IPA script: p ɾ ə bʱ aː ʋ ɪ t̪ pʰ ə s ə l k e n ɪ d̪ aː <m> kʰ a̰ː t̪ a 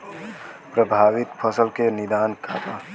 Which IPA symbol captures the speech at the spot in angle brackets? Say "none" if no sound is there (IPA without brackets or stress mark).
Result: n